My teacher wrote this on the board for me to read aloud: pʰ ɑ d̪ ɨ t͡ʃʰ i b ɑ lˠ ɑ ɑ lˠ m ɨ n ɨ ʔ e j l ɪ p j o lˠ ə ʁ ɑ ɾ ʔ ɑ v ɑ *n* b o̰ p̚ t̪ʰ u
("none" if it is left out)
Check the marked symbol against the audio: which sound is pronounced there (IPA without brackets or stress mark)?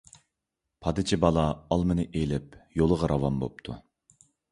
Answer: m